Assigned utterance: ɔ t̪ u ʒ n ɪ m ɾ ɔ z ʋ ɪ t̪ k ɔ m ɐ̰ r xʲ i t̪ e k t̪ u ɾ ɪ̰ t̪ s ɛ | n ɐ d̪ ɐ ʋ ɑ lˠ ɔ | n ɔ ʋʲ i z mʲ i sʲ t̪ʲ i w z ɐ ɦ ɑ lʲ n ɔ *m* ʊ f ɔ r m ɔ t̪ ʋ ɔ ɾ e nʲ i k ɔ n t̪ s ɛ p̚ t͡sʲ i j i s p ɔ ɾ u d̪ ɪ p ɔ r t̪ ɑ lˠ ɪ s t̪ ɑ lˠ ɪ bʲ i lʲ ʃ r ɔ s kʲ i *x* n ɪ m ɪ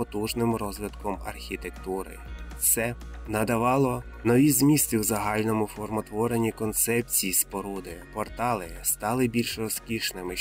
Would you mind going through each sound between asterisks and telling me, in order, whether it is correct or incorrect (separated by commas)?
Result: correct, incorrect